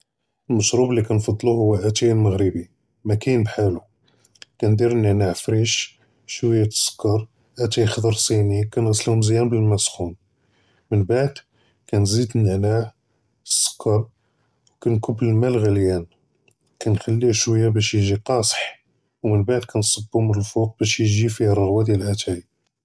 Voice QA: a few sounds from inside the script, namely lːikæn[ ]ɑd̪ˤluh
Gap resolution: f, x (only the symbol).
f